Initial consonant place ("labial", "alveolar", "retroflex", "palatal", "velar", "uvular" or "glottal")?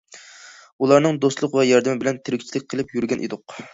alveolar